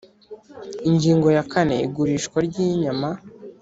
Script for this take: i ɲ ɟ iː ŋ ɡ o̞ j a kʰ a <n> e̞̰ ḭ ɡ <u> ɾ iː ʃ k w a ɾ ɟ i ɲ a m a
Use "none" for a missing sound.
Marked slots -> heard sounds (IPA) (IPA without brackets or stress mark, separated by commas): n, u